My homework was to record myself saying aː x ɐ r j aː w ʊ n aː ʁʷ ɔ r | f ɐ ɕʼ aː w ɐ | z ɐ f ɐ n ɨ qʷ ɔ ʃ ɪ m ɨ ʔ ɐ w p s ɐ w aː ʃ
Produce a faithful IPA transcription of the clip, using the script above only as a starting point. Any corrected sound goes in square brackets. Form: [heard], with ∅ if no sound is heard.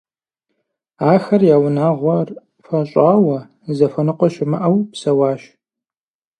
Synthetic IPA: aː x ɐ r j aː w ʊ n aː ʁʷ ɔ r | f ɐ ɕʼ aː w ɐ | z ɐ f ɐ n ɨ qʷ ɔ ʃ ɪ m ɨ ʔ ɐ w p s ɐ w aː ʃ